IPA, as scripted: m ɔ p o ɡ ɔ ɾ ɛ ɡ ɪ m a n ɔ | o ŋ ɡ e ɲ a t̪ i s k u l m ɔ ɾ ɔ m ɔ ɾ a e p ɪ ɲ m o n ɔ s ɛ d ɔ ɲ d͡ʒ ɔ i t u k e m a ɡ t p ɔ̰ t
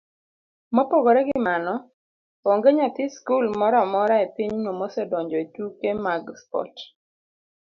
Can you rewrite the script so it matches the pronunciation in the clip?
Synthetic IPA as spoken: m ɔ p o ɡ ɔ ɾ ɛ ɡ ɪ m a n ɔ | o ŋ ɡ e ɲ a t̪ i s k u l m ɔ ɾ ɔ m ɔ ɾ a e p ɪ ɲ n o m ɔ s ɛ d ɔ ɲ d͡ʒ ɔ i t u k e m a ɡ s p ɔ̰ t

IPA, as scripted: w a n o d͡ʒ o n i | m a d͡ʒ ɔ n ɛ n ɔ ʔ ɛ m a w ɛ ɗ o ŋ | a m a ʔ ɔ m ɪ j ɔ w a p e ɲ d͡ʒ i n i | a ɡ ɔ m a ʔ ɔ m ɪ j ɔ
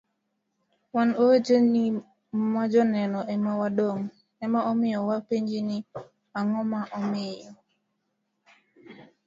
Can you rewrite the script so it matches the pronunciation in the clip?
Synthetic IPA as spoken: w a n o d͡ʒ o n i | m a d͡ʒ ɔ n ɛ n ɔ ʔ ɛ m a w a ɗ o ŋ | ɛ m a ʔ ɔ m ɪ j ɔ w a p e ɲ d͡ʒ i n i | a ŋ ɔ m a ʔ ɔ m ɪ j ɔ

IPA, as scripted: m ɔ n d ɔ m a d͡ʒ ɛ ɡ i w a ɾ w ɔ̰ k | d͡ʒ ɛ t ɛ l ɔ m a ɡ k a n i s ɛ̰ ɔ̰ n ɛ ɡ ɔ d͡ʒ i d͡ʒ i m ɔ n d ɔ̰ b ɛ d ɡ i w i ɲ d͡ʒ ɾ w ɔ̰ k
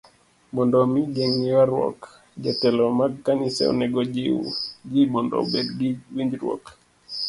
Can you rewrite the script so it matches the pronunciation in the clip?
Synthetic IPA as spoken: m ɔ n d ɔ m i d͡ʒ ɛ ŋ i w a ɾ w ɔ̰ k | d͡ʒ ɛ t ɛ l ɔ m a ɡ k a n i s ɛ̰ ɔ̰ n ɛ ɡ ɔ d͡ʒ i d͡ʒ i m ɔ n d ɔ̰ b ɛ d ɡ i w i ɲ d͡ʒ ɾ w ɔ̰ k

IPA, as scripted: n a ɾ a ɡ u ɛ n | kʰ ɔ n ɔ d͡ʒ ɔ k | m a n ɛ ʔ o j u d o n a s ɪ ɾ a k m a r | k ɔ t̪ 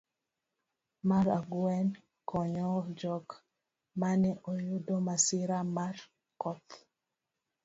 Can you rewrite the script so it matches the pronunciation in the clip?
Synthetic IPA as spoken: m a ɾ a ɡ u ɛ n | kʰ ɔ ɲ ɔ d͡ʒ ɔ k | m a n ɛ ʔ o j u d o m a s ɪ ɾ a m a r | k ɔ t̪

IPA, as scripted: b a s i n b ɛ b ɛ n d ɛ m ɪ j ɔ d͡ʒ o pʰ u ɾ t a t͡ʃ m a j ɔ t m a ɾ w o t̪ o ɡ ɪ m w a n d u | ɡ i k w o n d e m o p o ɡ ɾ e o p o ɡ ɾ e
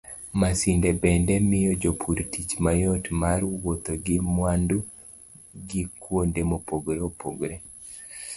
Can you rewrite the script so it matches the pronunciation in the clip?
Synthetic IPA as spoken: m a s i n d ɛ b ɛ n d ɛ m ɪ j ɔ d͡ʒ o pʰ u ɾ t i t͡ʃ m a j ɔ t m a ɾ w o t̪ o ɡ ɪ m w a n d u | ɡ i k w o n d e m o p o ɡ ɾ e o p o ɡ ɾ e

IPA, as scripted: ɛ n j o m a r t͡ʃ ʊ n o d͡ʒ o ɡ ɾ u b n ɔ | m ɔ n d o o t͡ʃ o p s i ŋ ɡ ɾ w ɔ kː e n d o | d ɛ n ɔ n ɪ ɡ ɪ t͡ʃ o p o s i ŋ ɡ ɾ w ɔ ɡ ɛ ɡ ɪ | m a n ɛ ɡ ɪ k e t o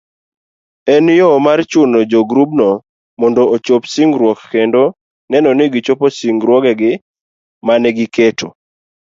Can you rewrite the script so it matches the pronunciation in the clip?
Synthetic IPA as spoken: ɛ n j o m a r t͡ʃ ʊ n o d͡ʒ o ɡ ɾ u b n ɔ | m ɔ n d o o t͡ʃ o p s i ŋ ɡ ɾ w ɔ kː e n d o | n ɛ n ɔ n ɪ ɡ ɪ t͡ʃ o p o s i ŋ ɡ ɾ w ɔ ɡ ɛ ɡ ɪ | m a n ɛ ɡ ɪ k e t o

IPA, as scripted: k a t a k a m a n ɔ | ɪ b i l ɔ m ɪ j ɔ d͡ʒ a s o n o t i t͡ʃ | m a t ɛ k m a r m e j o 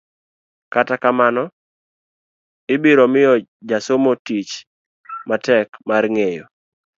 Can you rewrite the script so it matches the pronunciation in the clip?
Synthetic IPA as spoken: k a t a k a m a n ɔ | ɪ b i ɾ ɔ m ɪ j ɔ d͡ʒ a s o m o t i t͡ʃ | m a t ɛ k m a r ŋ e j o

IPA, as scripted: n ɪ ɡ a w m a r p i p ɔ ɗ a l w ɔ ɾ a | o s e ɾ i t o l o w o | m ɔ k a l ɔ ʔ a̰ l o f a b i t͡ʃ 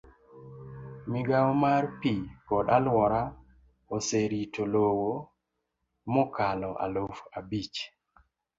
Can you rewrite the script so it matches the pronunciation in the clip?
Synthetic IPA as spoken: m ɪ ɡ a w m a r p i k ɔ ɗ a l w ɔ ɾ a | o s e ɾ i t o l o w o | m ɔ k a l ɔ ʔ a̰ l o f a b i t͡ʃ

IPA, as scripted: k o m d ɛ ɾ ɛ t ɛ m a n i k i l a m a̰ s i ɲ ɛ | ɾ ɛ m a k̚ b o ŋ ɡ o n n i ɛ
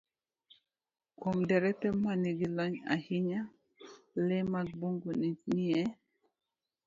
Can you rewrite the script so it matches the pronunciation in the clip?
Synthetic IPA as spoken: k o m d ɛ ɾ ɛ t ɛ m a n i ɡ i l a ɲ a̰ h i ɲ a | l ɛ m a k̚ b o ŋ ɡ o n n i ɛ

